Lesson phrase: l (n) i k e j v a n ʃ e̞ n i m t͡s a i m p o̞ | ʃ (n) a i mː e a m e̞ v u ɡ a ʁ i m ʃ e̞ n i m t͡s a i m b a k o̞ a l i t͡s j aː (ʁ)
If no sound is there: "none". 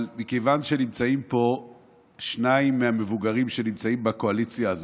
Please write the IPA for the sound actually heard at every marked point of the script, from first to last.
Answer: m, n, z

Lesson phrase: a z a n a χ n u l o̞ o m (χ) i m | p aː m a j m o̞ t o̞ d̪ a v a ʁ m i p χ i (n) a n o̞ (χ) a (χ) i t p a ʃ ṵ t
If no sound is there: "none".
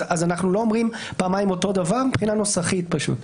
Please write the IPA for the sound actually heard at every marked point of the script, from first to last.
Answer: ʁ, n, s, χ

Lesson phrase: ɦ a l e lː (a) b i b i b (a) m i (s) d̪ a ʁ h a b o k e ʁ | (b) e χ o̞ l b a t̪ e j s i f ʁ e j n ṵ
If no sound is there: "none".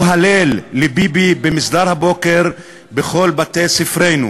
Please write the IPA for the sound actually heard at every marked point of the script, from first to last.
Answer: e, e, s, b

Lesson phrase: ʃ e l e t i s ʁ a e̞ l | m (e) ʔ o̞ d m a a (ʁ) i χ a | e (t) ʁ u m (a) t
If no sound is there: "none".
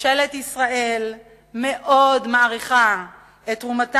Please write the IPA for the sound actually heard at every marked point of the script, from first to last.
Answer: e, ʁ, t, a

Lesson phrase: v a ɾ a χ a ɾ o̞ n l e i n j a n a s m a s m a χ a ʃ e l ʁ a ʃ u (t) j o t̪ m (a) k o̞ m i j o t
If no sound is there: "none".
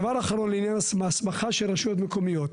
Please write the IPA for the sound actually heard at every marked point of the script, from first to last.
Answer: none, e

